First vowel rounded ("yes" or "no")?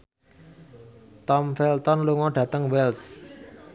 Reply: yes